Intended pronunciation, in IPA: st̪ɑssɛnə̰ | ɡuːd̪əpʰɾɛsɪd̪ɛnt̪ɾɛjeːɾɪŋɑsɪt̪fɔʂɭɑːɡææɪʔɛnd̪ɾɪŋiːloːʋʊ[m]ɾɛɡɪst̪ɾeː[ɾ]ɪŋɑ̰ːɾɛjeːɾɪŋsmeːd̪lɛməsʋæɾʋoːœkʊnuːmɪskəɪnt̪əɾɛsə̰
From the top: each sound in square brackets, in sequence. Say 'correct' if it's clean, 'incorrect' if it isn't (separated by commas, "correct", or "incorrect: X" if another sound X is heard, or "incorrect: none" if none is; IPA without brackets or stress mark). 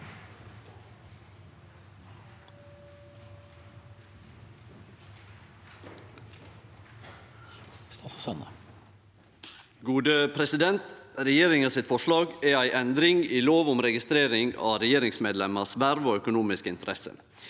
correct, correct